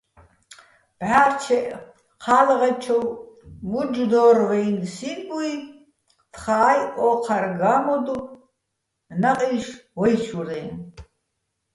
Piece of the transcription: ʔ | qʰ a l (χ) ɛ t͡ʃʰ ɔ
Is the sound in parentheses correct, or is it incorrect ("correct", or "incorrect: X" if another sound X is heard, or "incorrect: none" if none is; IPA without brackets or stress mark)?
incorrect: ʁ